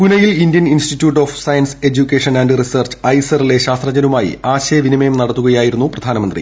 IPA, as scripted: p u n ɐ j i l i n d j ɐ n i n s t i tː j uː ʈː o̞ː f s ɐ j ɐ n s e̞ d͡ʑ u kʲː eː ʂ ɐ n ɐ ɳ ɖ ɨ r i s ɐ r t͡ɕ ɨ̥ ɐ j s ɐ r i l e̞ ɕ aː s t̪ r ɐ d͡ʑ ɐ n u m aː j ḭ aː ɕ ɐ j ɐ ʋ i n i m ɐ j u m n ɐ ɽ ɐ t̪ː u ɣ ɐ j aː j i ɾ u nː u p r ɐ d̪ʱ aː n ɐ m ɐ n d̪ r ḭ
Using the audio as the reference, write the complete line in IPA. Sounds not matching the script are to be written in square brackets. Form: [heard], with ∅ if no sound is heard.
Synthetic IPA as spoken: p u n ɐ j i l i n d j ɐ n i n s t i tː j uː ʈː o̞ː f s ɐ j ɐ n s e̞ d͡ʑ u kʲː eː ʂ ɐ n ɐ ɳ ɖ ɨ r i s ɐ r t͡ɕ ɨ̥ ɐ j s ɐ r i l e̞ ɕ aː s t̪ r ɐ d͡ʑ ɐ n u m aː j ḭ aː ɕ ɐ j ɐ ʋ i n i m ɐ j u m n ɐ ɽ ɐ t̪ː u ɣ ɐ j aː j i ɾ u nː u p r ɐ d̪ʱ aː n ɐ m ɐ n d̪ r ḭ

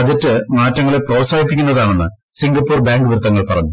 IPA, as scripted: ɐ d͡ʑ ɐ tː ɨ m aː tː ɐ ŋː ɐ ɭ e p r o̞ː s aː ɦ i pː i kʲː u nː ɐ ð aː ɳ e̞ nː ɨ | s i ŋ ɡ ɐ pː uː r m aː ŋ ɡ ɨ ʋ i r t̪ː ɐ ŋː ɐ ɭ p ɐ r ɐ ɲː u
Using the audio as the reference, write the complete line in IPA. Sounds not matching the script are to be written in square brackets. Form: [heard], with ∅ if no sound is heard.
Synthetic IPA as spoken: ɐ d͡ʑ ɐ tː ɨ m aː tː ɐ ŋː ɐ ɭ e p r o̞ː s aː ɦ i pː i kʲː u nː ɐ ð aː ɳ e̞ nː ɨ | s i ŋ ɡ ɐ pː uː r [b] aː ŋ ɡ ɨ ʋ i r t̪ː ɐ ŋː ɐ ɭ p ɐ r ɐ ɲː u

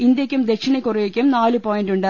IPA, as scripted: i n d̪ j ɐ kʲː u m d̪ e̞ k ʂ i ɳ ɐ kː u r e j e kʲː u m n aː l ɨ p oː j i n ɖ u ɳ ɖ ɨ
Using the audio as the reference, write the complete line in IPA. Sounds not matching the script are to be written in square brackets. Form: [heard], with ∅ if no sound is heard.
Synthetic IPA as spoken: i n d̪ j ɐ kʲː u m d̪ e̞ k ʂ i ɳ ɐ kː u r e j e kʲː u m n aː l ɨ p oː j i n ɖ u ɳ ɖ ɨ

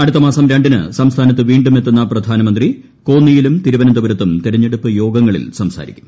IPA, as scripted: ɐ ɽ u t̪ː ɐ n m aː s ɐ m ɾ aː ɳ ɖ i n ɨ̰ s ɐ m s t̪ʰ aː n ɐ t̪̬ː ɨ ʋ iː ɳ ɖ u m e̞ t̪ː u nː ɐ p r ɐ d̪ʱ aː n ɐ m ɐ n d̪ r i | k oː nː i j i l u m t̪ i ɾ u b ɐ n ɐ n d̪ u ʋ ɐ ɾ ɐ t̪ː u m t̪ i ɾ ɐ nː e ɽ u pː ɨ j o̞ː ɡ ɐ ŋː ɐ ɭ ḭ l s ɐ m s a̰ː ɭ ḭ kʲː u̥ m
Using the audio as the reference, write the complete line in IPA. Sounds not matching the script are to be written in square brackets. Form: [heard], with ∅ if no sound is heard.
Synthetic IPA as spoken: ɐ ɽ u t̪ː ɐ [∅] m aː s ɐ m ɾ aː ɳ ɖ i n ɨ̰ s ɐ m s t̪ʰ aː n ɐ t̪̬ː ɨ ʋ iː ɳ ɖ u m e̞ t̪ː u nː ɐ p r ɐ d̪ʱ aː n ɐ m ɐ n d̪ r i | k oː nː i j i l u m t̪ i ɾ u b ɐ n ɐ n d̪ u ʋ ɐ ɾ ɐ t̪ː u m t̪ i ɾ ɐ [ɲː] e ɽ u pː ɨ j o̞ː ɡ ɐ ŋː ɐ ɭ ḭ l s ɐ m s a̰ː [ɾ] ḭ kʲː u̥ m

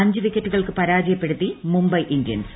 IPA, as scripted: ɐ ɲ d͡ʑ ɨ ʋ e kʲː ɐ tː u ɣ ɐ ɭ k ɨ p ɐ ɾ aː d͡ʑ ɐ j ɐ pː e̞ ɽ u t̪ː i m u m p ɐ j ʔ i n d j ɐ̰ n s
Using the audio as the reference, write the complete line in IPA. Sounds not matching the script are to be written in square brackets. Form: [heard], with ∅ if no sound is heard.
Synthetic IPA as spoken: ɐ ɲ d͡ʑ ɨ ʋ [i] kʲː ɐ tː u ɣ ɐ ɭ k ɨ p ɐ ɾ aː d͡ʑ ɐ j ɐ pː e̞ ɽ u t̪ː i m u m [b] ɐ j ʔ i n d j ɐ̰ n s

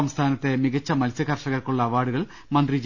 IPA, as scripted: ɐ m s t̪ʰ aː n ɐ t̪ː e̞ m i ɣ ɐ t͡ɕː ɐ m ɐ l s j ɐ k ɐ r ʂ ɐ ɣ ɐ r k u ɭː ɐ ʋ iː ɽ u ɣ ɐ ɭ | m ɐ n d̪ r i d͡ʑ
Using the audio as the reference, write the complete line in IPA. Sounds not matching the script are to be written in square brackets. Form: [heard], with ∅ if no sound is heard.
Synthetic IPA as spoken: ɐ m s t̪ʰ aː n ɐ t̪ː e̞ m i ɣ ɐ t͡ɕː ɐ m ɐ l s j ɐ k ɐ r ʂ ɐ ɣ ɐ r k u ɭː ɐ ʋ [aː] ɽ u ɣ ɐ ɭ | m ɐ n d̪ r i d͡ʑ

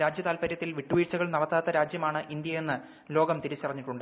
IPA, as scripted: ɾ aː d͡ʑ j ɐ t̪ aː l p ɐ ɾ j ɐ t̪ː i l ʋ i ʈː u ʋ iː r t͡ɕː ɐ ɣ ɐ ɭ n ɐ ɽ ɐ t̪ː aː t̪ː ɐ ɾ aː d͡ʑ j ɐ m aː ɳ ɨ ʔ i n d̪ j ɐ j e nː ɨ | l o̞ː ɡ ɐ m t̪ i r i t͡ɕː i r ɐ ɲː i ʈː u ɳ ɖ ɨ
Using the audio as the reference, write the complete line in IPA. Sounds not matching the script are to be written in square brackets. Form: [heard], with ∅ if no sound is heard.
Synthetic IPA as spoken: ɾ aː d͡ʑ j ɐ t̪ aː l p ɐ ɾ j ɐ t̪ː i l ʋ i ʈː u ʋ iː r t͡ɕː ɐ ɣ ɐ ɭ n ɐ ɽ ɐ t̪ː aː t̪ː ɐ ɾ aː d͡ʑ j ɐ m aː ɳ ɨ ʔ i n d̪ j ɐ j e nː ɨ | l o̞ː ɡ ɐ m t̪ i [ɾ] i t͡ɕː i r ɐ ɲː i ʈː u ɳ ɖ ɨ

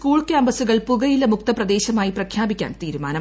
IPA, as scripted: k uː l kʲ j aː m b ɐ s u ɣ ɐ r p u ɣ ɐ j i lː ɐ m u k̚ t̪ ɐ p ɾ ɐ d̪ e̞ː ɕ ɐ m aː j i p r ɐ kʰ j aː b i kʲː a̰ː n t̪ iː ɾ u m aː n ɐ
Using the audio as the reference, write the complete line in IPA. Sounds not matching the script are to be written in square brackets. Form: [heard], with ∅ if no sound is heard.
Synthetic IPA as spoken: k uː [ɭ] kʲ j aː m b ɐ s u ɣ ɐ [ɭ] p u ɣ ɐ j i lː ɐ m u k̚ t̪ ɐ p [r] ɐ d̪ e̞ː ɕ ɐ m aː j i p r ɐ kʰ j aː b i kʲː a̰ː n t̪ iː ɾ u m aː n ɐ

